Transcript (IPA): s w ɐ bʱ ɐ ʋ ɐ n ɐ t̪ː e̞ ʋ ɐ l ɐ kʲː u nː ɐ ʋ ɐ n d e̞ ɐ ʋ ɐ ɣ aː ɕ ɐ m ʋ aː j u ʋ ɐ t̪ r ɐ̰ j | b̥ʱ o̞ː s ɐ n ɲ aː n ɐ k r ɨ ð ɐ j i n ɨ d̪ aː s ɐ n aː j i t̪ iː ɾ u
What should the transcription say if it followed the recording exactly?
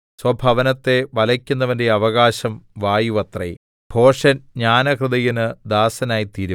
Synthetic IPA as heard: s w ɐ bʱ ɐ ʋ ɐ n ɐ t̪ː e̞ ʋ ɐ l ɐ kʲː u nː ɐ ʋ ɐ n d e̞ ɐ ʋ ɐ ɣ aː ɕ ɐ m ʋ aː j u ʋ ɐ t̪ r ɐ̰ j | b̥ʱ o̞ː ʂ ɐ n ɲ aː n ɐ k r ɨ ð ɐ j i n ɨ d̪ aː s ɐ n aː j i t̪ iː ɾ u